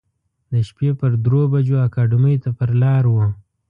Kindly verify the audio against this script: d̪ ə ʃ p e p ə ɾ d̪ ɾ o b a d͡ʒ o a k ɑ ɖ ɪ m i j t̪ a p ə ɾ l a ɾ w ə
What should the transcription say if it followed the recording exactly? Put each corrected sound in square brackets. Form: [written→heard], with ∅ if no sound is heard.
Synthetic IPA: d̪ ə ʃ p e p ə ɾ d̪ ɾ o b a d͡ʒ o a k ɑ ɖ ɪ m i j t̪ a p ə ɾ l [a→ɑ] ɾ w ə